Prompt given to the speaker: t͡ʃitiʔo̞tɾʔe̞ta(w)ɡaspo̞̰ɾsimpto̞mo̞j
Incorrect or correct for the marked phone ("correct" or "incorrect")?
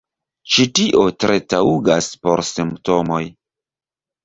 incorrect